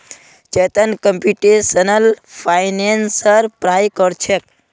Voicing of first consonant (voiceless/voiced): voiceless